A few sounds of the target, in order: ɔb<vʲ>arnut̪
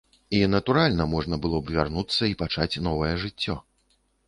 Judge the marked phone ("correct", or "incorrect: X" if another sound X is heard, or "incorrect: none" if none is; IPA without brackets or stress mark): correct